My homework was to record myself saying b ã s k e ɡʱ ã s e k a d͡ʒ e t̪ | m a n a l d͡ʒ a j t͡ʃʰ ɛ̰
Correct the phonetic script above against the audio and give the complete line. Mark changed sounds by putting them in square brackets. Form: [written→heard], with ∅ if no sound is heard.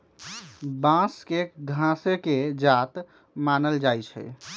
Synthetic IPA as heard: b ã s k e ɡʱ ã s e k [a→e] d͡ʒ [e→a] t̪ | m a n [a→ə] l d͡ʒ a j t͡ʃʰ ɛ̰